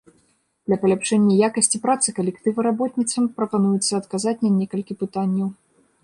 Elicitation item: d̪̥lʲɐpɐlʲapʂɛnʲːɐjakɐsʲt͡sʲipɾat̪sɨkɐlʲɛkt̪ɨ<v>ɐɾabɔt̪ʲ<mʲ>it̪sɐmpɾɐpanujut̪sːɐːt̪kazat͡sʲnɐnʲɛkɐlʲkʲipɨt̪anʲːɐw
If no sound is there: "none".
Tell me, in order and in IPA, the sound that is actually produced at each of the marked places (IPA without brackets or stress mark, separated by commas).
v, nʲ